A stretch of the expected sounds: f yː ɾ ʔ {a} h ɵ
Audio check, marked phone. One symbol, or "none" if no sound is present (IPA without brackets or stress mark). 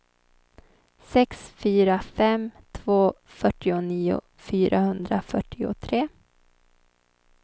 a